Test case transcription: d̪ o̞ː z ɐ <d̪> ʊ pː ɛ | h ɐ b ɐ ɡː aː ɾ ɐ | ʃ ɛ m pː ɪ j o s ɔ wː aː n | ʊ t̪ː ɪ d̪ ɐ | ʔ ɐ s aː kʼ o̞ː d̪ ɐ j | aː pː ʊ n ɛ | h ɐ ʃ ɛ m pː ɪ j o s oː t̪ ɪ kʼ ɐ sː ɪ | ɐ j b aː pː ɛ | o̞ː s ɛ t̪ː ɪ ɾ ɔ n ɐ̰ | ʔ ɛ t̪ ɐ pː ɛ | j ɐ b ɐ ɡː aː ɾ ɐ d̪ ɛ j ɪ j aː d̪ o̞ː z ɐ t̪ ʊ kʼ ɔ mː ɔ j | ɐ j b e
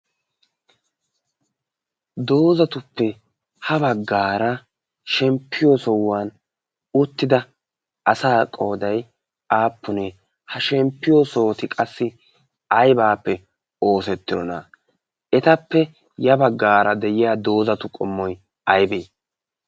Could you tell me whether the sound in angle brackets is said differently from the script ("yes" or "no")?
yes